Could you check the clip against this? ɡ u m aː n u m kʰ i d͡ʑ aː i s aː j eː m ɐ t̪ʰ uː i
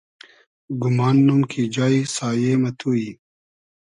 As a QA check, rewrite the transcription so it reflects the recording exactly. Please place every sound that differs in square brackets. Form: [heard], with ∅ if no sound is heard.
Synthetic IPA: ɡ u m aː [nː] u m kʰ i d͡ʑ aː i s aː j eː m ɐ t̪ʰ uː i